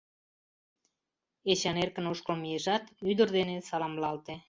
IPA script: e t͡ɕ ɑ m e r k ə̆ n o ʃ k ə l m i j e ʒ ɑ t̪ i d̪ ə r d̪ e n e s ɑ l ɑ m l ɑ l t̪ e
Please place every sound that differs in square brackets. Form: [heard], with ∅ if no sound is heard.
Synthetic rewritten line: e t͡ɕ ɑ [n] e r k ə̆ n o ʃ k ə l m i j e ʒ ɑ t̪ [y] d̪ ə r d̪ e n e s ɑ l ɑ m l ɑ l t̪ e